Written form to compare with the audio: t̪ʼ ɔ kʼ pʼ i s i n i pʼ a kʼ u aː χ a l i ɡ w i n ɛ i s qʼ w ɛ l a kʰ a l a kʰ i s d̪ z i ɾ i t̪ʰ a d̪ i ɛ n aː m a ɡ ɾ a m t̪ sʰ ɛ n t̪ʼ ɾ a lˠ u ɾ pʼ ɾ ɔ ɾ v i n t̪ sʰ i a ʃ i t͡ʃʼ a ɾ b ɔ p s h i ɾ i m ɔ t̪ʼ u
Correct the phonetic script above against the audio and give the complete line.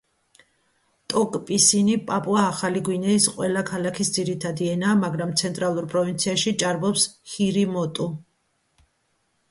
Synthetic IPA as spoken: t̪ʼ ɔ kʼ pʼ i s i n i pʼ a pʼ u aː χ a l i ɡ w i n ɛ i s qʼ w ɛ l a kʰ a l a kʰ i s d̪ z i ɾ i t̪ʰ a d̪ i ɛ n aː m a ɡ ɾ a m t̪ sʰ ɛ n t̪ʼ ɾ a lˠ u ɾ pʼ ɾ ɔ v i n t̪ sʰ i a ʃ i t͡ʃʼ a ɾ b ɔ p s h i ɾ i m ɔ t̪ʼ u